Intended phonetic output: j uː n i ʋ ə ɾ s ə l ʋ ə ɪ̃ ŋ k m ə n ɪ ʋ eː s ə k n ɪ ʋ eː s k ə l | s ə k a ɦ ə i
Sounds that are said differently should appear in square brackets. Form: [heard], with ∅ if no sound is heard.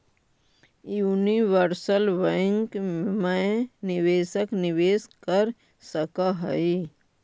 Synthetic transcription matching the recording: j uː n i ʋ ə ɾ s ə l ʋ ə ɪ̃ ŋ k m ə n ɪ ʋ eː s ə k n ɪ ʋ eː s k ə [ɾ] | s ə k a ɦ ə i